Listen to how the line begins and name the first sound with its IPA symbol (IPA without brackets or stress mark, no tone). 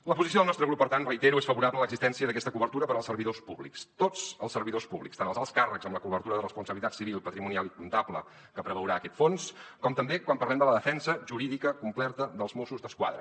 l